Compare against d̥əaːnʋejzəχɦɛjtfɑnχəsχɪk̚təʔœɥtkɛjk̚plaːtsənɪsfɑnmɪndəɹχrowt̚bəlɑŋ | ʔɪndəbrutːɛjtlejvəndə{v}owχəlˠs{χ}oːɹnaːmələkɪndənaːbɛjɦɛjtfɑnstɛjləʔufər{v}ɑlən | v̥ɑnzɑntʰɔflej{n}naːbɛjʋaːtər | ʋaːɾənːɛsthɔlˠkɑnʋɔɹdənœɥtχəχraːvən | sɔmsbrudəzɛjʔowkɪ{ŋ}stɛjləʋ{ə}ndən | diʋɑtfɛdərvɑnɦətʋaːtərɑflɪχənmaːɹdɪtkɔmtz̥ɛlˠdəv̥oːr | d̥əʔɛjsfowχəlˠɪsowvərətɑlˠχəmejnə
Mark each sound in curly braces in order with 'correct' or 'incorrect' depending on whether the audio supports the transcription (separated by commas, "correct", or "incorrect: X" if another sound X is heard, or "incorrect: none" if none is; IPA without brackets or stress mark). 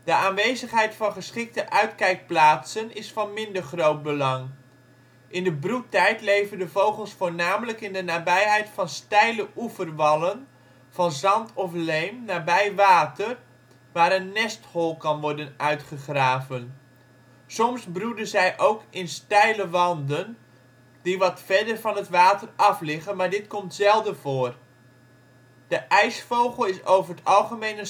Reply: correct, incorrect: f, incorrect: ʋ, incorrect: m, incorrect: n, incorrect: ɑ